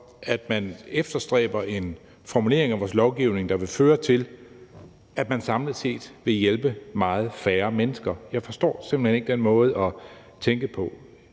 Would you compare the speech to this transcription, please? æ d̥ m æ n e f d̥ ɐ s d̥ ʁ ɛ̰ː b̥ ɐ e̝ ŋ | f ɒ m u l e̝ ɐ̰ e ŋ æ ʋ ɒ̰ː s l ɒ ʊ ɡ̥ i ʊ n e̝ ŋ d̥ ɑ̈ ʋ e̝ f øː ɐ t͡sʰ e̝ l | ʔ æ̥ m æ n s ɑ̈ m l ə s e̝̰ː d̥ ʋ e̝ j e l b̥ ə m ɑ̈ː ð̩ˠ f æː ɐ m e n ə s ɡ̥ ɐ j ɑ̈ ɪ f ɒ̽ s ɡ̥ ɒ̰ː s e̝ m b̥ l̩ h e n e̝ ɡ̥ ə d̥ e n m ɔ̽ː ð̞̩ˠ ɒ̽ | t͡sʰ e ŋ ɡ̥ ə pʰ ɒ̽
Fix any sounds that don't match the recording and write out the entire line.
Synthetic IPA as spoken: æ d̥ m æ n e f d̥ ɐ s d̥ ʁ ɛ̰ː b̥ ɐ e̝ n | f ɒ m u l e̝ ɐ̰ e ŋ æ ʋ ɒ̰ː s l ɒ ʊ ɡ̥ i ʊ n e̝ ŋ d̥ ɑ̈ ʋ e̝ f øː ɐ t͡sʰ e̝ l | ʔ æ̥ m æ n s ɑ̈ m l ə s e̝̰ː d̥ ʋ e̝ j e l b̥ ə m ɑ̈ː ð̩ˠ f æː ɐ m e n ə s ɡ̥ ɐ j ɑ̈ ɪ f ɒ̽ s d̥ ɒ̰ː s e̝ m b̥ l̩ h e n e̝ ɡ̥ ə d̥ e n m ɔ̽ː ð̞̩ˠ ɒ̽ | t͡sʰ e ŋ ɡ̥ ə pʰ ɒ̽

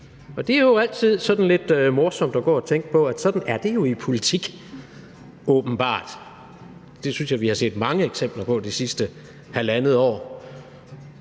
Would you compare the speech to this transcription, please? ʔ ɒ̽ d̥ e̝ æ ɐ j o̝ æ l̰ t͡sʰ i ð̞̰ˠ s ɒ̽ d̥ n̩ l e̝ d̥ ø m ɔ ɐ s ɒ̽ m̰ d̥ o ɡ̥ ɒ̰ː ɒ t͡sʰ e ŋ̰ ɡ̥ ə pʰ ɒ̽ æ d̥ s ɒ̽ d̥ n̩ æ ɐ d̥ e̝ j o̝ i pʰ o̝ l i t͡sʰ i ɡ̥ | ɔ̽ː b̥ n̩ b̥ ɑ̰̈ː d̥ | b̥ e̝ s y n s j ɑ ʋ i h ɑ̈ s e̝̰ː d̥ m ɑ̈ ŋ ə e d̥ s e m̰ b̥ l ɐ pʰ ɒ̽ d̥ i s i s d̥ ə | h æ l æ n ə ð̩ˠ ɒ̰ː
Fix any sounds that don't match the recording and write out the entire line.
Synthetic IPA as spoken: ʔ ɒ̽ d̥ e̝ æ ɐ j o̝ æ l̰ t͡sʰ i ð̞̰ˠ s ɒ̽ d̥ n̩ l e̝ d̥ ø m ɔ ɐ s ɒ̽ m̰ d̥ ɒ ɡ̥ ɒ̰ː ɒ t͡sʰ e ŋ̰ ɡ̥ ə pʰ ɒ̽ æ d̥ s ɒ̽ d̥ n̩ æ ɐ d̥ e̝ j o̝ i pʰ o̝ l i t͡sʰ i ɡ̥ | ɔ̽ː b̥ n̩ b̥ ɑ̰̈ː d̥ | d̥ e̝ s y n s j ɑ ʋ i h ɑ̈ s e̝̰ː d̥ m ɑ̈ ŋ ə e ɡ̥ s e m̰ b̥ l ɐ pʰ ɒ̽ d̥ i s i s d̥ ə | h æ l æ n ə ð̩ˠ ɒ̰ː

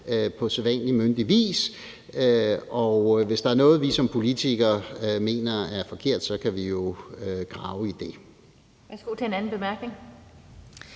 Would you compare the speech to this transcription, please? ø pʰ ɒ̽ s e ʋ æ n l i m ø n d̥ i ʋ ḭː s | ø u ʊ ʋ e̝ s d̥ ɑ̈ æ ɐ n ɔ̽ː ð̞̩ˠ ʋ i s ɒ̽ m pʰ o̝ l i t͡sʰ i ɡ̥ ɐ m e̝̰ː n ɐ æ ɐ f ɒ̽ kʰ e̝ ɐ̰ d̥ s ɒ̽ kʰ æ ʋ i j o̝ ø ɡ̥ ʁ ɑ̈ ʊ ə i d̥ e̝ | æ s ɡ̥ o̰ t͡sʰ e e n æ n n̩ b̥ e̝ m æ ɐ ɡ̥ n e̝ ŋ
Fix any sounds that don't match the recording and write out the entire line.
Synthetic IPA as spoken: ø pʰ ɒ̽ s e ʋ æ n l i m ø n d̥ i ʋ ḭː s | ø ɒ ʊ ʋ e̝ s d̥ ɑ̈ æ ɐ n ɔ̽ː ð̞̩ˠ ʋ i s ɒ̽ m pʰ o̝ l i t͡sʰ i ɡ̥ ɐ m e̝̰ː n ɐ æ ɐ f ɒ̽ kʰ e̝ ɐ̰ d̥ s ɒ̽ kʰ æ ʋ i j o̝ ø ɡ̥ ʁ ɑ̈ ʊ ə i d̥ e̝ | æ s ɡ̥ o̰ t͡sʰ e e n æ n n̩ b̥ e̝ m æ ɐ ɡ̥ n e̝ ŋ

